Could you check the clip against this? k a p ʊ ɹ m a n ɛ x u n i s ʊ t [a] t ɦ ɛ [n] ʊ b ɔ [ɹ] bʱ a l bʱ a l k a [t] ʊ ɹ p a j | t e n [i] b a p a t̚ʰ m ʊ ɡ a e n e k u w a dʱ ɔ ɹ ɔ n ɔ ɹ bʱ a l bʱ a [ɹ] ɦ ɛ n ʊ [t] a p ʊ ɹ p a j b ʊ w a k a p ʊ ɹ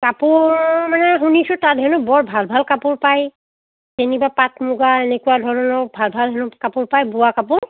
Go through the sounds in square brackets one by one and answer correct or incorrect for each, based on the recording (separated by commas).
correct, correct, correct, incorrect, correct, incorrect, incorrect